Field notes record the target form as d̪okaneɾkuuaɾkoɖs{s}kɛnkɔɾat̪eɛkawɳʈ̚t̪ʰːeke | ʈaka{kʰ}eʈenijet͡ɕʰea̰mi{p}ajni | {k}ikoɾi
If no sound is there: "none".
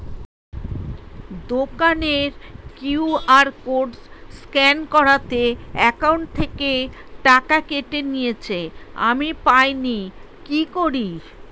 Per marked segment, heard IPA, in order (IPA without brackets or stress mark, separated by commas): s, k, p, k